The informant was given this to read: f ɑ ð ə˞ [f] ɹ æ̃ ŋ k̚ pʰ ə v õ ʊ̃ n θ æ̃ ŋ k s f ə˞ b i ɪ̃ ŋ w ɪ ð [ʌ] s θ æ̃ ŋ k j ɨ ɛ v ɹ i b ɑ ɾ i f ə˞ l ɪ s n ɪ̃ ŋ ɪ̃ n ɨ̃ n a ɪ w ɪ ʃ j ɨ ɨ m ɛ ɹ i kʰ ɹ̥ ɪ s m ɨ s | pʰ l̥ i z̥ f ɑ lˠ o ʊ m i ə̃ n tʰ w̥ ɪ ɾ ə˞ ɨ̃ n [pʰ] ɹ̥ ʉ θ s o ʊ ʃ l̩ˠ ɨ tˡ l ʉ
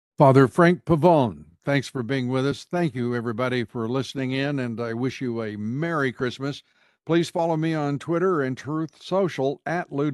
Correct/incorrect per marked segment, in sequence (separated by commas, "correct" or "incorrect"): correct, correct, incorrect